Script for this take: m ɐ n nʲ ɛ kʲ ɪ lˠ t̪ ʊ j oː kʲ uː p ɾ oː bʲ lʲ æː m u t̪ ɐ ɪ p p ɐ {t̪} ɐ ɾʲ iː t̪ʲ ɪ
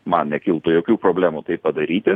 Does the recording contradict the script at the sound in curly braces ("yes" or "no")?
yes